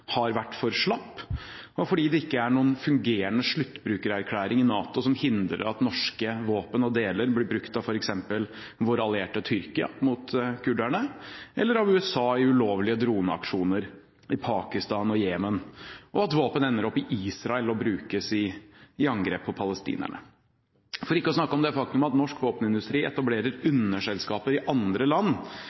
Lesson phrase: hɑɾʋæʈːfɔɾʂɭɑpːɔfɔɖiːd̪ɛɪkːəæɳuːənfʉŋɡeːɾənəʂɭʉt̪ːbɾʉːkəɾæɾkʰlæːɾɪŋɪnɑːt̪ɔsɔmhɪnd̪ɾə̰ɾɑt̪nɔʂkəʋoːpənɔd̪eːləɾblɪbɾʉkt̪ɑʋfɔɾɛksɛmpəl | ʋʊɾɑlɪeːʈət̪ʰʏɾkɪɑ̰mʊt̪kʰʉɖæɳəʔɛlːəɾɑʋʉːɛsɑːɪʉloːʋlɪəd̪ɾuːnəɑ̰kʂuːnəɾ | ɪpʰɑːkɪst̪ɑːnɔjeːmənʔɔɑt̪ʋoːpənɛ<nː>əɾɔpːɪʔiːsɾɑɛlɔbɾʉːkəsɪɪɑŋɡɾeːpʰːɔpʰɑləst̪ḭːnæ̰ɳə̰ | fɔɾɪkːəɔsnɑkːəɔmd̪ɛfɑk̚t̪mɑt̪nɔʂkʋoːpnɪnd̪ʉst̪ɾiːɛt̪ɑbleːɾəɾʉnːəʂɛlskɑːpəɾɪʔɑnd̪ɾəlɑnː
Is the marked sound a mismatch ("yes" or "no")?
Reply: no